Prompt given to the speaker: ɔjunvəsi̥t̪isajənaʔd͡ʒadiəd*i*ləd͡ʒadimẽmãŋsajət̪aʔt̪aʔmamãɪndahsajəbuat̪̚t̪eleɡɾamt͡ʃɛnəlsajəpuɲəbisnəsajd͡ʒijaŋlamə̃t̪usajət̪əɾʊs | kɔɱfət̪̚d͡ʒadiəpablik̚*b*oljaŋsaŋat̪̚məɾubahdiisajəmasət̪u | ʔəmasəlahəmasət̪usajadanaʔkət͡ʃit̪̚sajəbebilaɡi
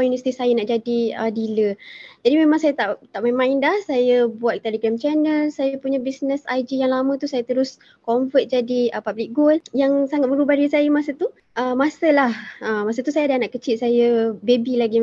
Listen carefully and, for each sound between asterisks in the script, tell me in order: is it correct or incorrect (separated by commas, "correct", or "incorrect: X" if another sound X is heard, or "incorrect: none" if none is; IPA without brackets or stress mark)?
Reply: correct, incorrect: ɡ